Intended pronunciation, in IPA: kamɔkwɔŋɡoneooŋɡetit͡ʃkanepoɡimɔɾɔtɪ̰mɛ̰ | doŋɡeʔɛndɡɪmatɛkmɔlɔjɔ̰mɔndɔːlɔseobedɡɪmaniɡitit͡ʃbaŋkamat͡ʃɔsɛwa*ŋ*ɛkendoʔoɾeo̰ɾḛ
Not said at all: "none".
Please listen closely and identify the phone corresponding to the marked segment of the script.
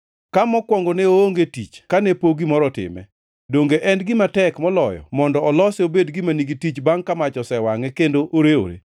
ŋ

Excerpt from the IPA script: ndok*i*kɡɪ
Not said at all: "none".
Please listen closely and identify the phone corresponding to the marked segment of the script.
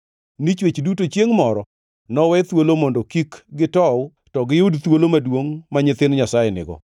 i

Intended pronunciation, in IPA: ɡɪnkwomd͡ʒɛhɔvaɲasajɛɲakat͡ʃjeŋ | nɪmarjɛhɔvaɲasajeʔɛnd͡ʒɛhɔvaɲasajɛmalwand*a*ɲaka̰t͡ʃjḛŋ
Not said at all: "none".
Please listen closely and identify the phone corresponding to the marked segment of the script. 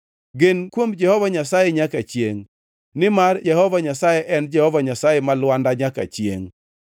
a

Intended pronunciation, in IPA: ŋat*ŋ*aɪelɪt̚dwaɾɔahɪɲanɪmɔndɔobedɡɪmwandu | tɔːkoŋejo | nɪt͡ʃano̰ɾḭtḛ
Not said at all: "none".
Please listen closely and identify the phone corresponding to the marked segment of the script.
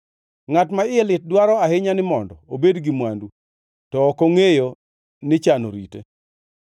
m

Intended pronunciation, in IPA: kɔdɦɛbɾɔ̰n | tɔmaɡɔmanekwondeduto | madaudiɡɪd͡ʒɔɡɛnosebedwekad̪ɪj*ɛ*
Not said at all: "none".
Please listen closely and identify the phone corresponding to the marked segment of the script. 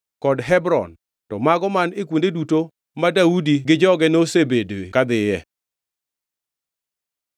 ɛ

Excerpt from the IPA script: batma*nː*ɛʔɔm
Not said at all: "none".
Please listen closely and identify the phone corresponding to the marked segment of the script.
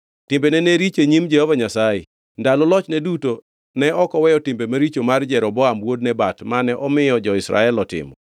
n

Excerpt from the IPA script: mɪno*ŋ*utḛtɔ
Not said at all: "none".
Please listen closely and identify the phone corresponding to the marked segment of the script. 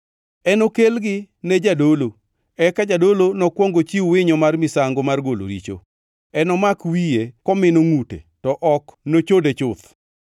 ŋ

